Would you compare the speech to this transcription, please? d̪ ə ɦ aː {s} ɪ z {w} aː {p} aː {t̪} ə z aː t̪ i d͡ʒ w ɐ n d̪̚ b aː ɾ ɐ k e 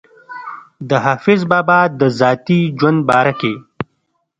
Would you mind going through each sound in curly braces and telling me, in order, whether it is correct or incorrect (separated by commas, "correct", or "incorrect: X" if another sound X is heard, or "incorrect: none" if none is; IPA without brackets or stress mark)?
incorrect: f, incorrect: b, incorrect: b, incorrect: d̪